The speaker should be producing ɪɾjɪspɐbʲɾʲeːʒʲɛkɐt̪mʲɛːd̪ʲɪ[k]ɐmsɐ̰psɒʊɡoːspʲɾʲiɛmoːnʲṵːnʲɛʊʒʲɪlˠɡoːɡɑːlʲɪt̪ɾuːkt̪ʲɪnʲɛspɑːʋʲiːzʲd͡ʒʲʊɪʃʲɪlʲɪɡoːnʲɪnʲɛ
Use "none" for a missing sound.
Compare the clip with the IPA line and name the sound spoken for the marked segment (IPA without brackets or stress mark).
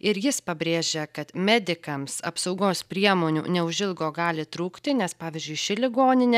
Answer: k